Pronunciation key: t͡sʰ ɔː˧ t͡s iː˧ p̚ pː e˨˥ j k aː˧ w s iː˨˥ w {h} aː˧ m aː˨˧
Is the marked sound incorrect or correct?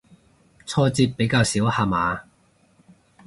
correct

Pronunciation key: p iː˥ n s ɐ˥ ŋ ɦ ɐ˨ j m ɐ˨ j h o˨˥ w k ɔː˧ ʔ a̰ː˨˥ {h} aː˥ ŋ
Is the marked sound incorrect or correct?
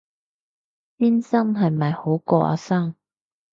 incorrect: s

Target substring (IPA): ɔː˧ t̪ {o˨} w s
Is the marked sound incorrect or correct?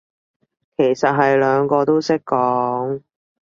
incorrect: o˥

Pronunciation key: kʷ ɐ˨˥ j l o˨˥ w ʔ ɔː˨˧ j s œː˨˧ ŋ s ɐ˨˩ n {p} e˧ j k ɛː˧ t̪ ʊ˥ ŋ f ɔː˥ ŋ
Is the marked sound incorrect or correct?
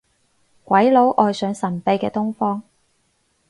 correct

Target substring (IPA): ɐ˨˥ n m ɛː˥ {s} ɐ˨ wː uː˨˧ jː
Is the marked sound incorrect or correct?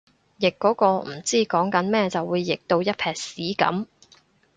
incorrect: t͡s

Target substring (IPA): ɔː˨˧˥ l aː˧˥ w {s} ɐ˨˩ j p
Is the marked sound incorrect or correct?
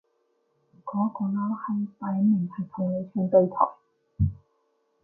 incorrect: h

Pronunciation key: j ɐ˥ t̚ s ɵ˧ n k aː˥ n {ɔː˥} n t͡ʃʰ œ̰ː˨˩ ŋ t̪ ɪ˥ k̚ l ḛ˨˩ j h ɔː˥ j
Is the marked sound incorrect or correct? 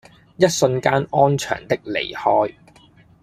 correct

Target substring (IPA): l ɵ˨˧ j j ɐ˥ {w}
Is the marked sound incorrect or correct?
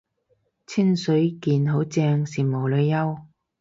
correct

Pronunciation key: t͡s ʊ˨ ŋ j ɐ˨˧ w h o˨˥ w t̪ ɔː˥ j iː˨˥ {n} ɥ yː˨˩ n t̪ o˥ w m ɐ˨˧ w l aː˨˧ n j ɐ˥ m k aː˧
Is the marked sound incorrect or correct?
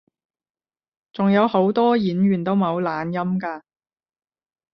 correct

